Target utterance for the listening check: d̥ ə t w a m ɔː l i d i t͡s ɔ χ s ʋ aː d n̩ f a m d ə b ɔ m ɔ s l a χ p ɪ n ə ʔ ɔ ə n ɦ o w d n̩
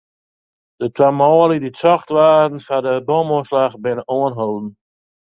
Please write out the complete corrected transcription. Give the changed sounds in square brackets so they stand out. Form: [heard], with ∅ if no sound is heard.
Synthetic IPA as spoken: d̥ ə t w a m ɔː l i d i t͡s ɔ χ [t] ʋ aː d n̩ f a [∅] d ə b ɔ m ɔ s l a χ [b] ɪ n ə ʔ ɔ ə n ɦ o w d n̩